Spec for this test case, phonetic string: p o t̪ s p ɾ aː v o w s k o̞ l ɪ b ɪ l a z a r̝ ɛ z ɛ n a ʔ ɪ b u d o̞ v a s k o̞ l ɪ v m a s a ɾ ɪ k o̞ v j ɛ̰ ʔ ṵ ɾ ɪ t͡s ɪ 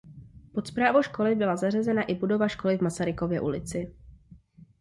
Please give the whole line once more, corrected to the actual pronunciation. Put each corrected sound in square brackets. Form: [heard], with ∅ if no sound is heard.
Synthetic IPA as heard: p o t̪ s p ɾ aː v o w [ʃ] k o̞ l ɪ b ɪ l a z a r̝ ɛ z ɛ n a ʔ ɪ b u d o̞ v a [ʃ] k o̞ l ɪ v m a s a ɾ ɪ k o̞ v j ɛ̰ ʔ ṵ [l] ɪ t͡s ɪ